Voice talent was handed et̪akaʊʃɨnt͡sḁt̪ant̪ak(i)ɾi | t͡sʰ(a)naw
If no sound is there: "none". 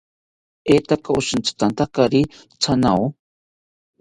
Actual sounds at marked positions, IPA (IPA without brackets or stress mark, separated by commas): a, a